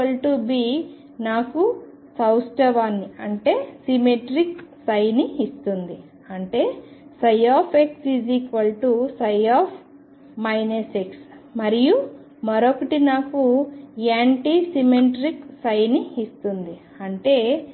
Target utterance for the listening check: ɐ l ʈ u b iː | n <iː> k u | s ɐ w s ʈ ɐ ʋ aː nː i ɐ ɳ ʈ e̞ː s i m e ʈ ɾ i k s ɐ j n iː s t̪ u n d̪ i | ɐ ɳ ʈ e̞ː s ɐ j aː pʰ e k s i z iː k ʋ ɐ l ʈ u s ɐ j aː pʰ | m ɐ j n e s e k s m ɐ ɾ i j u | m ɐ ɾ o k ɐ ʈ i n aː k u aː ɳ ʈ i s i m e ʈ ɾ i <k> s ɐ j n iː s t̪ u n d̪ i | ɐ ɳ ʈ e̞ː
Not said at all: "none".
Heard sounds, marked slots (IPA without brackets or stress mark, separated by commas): aː, k